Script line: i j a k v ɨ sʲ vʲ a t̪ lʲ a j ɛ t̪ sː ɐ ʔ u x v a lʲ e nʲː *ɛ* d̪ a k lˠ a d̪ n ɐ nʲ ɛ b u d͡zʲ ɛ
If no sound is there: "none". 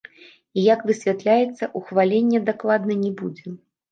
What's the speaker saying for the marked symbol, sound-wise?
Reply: ɛ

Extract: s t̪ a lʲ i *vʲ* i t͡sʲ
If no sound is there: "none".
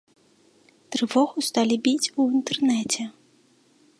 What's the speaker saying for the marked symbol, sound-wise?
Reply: bʲ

